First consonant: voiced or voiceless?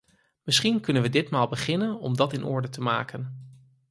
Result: voiced